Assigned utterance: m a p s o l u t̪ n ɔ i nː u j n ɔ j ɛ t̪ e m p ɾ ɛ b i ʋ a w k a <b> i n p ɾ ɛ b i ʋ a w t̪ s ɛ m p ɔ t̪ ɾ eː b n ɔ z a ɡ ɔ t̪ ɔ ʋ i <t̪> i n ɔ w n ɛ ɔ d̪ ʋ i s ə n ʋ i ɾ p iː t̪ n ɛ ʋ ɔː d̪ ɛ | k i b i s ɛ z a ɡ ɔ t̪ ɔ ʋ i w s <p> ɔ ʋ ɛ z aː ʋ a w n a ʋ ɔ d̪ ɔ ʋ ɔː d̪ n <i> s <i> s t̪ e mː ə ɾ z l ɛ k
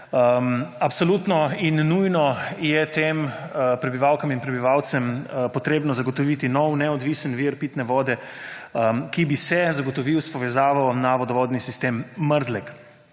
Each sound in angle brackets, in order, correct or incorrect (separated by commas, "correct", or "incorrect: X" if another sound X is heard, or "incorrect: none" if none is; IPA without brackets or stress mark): incorrect: m, correct, correct, correct, correct